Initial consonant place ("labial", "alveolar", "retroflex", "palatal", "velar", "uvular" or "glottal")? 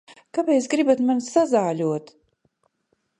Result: velar